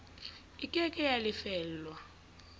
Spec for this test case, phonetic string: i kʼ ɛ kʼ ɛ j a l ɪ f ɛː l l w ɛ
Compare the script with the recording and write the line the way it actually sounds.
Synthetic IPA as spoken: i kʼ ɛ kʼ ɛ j a l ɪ f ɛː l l w a